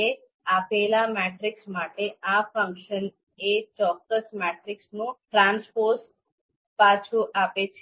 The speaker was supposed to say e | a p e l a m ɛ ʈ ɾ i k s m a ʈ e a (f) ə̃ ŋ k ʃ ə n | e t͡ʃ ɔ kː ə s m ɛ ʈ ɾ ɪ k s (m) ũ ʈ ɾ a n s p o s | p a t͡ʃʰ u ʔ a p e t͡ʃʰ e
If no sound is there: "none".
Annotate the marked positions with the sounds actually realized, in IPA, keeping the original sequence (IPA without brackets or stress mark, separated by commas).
f, n